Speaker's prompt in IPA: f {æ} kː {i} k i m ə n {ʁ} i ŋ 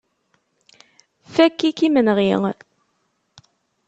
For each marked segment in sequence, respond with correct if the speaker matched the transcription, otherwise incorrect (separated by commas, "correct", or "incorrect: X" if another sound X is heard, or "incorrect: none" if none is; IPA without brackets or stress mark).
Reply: correct, correct, correct